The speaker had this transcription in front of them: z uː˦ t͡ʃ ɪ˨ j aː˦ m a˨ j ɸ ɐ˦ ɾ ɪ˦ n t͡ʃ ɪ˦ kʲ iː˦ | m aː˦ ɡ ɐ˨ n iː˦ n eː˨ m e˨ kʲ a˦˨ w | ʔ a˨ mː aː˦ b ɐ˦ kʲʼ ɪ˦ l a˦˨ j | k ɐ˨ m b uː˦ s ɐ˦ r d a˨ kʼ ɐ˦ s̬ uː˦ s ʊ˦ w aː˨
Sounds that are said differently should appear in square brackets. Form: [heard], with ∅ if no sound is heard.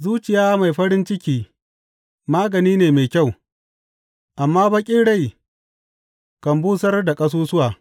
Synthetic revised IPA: z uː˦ t͡ʃ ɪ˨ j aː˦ m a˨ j ɸ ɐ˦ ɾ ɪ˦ n t͡ʃ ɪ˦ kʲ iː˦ | m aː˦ ɡ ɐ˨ n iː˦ n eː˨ m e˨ kʲ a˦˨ w | ʔ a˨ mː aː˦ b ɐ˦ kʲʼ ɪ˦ [ɽ] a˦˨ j | k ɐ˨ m b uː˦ s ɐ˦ r d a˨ kʼ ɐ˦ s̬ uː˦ s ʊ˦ w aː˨